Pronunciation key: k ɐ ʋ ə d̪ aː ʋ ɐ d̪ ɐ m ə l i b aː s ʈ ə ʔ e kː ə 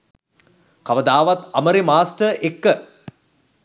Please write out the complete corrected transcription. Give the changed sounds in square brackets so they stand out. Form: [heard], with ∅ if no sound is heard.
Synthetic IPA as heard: k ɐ ʋ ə d̪ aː ʋ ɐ [t̪] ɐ m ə [ɾ] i [m] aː s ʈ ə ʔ e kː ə